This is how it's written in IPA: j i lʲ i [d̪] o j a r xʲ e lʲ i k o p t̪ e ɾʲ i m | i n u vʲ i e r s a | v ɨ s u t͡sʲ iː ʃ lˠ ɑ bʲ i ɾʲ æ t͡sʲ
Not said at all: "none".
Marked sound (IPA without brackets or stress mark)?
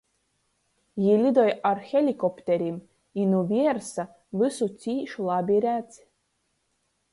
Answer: d̪